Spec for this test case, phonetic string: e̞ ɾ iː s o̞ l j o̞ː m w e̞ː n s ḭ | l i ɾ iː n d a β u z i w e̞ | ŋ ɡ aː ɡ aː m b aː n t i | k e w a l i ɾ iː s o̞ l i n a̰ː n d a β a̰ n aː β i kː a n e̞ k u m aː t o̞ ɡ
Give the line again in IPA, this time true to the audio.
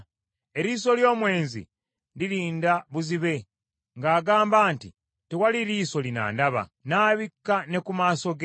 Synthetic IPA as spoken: e̞ ɾ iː s o̞ l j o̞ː m w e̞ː n z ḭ | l i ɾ iː n d a β u z i β e̞ | ŋ ɡ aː ɡ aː m b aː n t i | t e w a l i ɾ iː s o̞ l i n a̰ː n d a β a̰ n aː β i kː a n e̞ k u m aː s o̞ ɡ